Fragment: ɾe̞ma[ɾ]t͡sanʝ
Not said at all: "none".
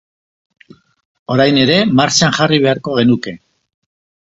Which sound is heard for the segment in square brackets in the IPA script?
ɾ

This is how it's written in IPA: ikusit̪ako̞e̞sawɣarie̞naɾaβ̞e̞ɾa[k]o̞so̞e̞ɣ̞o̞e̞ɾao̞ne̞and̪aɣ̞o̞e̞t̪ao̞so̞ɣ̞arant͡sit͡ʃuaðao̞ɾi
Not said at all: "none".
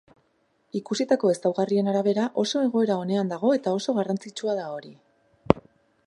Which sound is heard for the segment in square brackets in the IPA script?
ʔ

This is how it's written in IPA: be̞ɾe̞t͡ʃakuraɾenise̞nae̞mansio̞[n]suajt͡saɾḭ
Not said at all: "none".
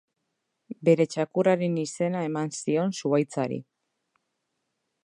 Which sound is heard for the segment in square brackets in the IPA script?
n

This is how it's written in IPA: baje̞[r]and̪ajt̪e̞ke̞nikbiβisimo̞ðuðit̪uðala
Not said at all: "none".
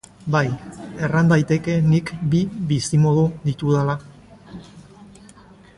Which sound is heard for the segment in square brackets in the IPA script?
r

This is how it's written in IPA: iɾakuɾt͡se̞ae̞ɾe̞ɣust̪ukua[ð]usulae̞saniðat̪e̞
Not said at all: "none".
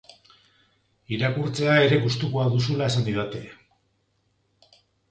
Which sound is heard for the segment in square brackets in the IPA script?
ð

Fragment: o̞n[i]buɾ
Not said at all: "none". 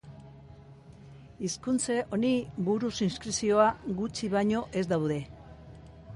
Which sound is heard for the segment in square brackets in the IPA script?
i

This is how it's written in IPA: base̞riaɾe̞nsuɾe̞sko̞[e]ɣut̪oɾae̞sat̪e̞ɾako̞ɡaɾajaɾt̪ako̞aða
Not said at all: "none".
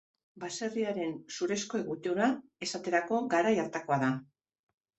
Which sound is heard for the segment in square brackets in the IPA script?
e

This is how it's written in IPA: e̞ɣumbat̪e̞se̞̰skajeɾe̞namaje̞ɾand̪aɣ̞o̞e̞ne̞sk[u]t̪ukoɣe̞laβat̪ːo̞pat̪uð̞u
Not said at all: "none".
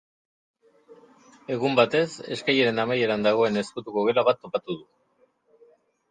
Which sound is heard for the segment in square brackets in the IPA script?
u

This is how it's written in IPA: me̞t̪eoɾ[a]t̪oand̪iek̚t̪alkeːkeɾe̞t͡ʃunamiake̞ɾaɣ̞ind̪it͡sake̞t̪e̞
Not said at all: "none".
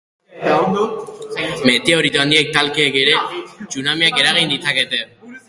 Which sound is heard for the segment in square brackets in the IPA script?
i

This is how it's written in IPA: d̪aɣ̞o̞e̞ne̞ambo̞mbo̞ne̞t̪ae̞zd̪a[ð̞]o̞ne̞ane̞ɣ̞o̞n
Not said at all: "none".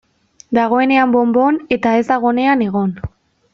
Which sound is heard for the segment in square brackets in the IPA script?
ɣ̞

